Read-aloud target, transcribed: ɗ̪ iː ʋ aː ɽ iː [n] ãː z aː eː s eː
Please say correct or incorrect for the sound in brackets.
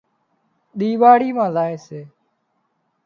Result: incorrect